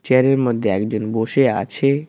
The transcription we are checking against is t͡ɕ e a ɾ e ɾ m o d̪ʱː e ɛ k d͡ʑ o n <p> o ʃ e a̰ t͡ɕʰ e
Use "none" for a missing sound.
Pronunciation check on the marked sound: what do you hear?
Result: b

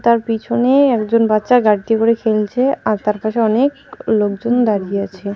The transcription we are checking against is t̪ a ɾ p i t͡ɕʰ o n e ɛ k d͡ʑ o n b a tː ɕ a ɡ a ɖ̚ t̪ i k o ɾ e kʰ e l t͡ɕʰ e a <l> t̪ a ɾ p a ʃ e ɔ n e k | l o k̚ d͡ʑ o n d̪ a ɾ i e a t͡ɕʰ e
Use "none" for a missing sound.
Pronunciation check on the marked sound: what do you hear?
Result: ɾ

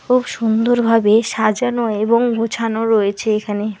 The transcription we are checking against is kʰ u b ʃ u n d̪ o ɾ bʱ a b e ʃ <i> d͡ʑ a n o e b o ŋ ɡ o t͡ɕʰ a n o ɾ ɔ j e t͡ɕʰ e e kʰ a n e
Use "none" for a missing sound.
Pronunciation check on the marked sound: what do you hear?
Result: a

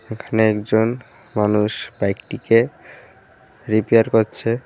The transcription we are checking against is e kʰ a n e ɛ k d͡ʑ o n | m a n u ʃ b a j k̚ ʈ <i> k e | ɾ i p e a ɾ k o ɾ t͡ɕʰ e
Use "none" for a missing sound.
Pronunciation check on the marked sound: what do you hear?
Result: i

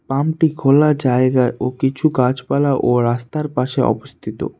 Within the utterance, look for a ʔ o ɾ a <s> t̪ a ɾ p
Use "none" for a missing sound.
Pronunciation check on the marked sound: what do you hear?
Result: s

